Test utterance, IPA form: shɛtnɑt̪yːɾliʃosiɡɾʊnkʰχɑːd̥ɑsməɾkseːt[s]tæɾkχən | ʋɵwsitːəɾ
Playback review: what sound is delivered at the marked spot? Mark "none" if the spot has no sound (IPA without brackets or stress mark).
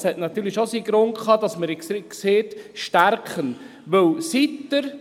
ʃ